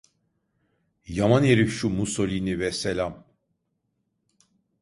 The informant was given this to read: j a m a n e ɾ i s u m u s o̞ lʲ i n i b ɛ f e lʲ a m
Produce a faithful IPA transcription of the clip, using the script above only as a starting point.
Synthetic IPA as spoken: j a m a n e ɾ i ʃ u m u s o̞ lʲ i n i v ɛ s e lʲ a m